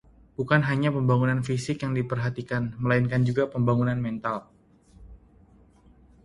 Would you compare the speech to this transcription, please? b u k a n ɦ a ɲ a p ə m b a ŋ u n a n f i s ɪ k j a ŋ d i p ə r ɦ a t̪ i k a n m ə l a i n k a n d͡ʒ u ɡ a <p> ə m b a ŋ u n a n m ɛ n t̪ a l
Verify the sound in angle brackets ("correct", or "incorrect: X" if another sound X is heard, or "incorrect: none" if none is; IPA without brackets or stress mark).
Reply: correct